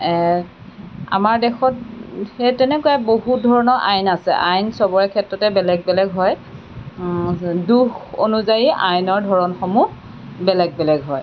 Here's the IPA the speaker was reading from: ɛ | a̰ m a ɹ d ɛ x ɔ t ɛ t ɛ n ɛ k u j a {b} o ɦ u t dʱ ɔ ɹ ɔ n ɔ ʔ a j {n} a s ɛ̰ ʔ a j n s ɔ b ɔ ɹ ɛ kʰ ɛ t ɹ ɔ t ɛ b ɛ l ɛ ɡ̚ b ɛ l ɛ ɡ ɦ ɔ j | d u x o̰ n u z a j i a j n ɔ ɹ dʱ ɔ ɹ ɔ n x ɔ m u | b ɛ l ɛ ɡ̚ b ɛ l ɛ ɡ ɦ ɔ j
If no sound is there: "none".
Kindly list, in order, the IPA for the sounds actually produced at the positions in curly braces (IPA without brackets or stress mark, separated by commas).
b, n